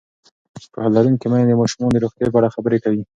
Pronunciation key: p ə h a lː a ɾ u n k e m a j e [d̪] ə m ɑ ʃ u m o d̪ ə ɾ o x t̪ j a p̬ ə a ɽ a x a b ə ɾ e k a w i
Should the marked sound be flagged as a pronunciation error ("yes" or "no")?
no